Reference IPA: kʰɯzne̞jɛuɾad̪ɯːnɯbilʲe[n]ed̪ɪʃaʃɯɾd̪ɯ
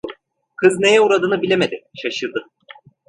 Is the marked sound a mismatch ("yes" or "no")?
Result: yes